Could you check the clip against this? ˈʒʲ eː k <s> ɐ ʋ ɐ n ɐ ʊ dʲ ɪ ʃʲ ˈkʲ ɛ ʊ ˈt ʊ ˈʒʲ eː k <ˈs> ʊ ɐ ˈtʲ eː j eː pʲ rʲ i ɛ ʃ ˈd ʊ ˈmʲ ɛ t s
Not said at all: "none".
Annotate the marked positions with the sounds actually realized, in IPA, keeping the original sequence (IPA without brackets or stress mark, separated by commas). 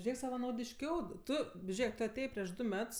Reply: s, t